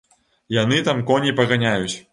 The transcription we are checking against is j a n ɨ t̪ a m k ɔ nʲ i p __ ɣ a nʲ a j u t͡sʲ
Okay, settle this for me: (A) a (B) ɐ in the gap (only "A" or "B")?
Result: B